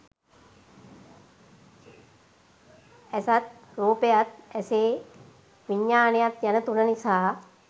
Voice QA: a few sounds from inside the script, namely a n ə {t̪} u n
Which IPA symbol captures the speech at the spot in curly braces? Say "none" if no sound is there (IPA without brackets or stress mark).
t̪